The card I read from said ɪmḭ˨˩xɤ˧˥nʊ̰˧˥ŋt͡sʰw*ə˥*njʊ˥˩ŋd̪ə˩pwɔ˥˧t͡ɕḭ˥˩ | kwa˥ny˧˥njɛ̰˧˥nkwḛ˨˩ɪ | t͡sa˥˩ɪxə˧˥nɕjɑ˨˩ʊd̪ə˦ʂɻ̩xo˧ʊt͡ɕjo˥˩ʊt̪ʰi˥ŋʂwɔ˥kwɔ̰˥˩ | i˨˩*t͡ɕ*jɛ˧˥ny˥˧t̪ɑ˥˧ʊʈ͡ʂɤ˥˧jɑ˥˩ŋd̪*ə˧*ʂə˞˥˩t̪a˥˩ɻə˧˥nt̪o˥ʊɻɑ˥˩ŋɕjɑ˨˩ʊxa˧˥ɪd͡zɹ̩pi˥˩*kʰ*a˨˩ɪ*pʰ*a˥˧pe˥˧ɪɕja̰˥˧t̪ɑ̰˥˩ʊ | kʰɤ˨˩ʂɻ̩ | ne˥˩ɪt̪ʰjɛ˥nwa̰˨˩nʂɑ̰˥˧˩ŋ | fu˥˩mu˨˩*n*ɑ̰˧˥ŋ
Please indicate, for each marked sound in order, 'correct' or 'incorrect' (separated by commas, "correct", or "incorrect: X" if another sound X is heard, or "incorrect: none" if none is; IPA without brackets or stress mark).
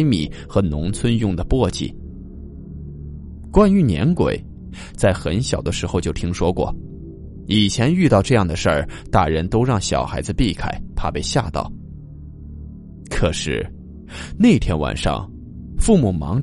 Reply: correct, incorrect: t͡ɕʰ, incorrect: ə˩, correct, correct, incorrect: m